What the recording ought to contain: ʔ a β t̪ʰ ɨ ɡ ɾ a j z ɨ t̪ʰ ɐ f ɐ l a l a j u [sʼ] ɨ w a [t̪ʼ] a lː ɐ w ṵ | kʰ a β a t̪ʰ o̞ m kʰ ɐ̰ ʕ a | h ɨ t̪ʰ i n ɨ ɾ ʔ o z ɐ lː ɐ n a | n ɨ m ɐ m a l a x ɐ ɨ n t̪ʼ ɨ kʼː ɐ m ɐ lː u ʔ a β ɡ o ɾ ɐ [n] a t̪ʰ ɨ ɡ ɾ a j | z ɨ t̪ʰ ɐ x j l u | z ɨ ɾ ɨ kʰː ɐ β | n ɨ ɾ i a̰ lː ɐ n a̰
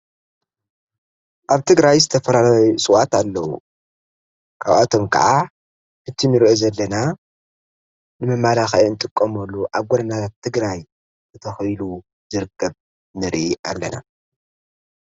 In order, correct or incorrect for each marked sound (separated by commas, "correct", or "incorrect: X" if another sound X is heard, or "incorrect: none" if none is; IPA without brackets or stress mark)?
correct, incorrect: t̪, correct